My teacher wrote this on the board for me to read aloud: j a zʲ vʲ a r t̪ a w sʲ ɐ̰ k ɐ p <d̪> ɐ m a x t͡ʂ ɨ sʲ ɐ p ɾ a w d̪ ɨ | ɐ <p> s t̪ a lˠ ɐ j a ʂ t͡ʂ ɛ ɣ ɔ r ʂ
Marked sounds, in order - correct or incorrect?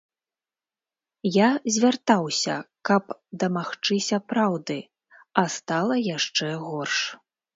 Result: correct, incorrect: none

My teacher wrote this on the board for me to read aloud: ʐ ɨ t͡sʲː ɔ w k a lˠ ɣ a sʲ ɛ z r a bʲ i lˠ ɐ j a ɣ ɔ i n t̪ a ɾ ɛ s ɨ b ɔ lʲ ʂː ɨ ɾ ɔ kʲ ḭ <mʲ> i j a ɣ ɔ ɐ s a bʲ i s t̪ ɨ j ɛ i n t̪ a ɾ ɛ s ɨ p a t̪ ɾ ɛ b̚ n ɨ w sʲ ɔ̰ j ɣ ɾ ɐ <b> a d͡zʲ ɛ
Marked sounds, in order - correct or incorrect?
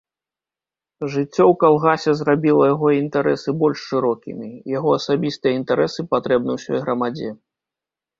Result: correct, incorrect: m

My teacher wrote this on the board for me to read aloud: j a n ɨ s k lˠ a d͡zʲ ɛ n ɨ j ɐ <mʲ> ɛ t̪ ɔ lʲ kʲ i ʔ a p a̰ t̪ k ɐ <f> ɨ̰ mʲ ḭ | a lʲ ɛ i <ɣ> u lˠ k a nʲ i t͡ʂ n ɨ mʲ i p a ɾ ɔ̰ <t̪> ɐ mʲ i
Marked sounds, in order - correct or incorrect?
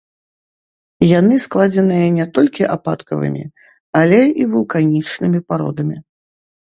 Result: incorrect: nʲ, incorrect: v, incorrect: v, incorrect: d̪

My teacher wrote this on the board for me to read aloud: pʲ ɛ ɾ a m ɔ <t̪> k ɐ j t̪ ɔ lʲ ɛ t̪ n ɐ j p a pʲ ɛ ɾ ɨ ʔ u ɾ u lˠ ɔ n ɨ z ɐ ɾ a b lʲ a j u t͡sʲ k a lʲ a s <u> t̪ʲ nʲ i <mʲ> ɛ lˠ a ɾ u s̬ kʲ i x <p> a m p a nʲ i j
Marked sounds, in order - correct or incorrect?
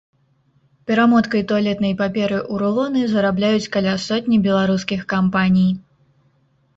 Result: correct, incorrect: ɔ, incorrect: bʲ, incorrect: k

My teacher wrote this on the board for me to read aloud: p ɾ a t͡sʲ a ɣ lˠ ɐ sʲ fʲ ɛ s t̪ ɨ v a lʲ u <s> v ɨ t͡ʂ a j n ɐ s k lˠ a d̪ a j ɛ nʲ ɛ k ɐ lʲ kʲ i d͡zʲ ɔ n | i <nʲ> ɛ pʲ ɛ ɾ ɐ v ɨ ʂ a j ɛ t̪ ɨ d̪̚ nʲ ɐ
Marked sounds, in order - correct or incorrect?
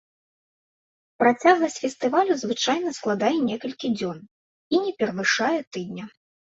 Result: incorrect: z, correct

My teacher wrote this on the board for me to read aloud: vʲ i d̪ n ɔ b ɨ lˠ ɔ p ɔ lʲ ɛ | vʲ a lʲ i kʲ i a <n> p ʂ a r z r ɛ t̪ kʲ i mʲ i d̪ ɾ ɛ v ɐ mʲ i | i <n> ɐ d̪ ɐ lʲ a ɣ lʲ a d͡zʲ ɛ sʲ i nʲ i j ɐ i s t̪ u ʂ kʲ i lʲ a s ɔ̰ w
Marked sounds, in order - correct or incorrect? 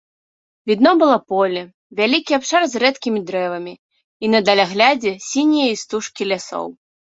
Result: incorrect: none, correct

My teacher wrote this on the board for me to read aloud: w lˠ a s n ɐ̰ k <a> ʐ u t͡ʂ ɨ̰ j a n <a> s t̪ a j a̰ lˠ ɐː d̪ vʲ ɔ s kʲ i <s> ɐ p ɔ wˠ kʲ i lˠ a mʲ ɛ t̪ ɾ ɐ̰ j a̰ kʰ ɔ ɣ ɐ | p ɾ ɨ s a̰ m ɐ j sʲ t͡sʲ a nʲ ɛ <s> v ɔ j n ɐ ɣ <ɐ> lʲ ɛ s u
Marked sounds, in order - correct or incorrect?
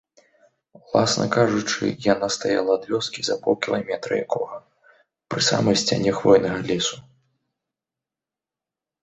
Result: correct, correct, incorrect: z, incorrect: x, correct

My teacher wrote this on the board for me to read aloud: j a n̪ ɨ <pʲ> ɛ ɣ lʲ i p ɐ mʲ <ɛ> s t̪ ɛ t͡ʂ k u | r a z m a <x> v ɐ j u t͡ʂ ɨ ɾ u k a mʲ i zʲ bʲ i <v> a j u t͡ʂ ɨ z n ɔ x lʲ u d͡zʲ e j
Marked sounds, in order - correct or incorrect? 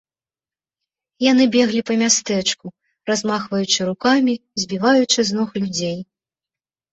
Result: incorrect: bʲ, incorrect: a, correct, correct

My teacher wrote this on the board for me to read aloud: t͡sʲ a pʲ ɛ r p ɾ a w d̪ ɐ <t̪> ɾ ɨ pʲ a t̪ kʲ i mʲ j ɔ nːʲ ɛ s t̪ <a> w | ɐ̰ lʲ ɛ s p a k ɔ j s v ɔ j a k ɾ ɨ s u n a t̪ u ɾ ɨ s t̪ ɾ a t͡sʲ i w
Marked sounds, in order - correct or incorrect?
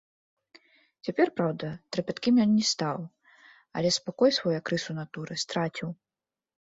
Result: correct, correct

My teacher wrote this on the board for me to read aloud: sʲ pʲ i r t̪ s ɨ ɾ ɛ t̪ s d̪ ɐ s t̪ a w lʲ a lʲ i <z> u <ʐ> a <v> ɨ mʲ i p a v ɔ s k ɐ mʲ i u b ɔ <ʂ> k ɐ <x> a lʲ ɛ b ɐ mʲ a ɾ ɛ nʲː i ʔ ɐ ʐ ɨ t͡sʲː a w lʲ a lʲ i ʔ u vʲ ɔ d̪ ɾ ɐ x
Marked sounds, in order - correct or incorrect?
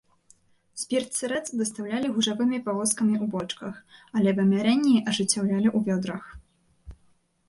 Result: incorrect: ɣ, correct, correct, incorrect: t͡ʂ, correct

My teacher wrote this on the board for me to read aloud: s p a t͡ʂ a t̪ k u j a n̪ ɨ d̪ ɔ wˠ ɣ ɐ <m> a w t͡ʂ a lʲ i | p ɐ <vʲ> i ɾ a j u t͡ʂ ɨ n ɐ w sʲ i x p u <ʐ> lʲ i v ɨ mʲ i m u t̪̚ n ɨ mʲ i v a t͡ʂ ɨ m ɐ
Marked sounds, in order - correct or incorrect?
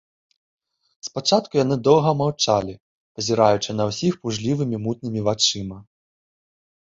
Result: correct, incorrect: zʲ, correct

